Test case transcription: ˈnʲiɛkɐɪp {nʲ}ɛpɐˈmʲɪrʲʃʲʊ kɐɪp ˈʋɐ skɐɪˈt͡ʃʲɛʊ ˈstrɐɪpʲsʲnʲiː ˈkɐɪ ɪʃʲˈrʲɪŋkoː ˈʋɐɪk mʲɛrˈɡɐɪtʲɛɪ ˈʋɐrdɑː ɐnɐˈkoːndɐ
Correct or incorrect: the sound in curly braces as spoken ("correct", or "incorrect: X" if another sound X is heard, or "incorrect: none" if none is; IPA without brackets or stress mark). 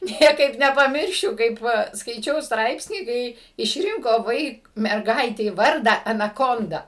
correct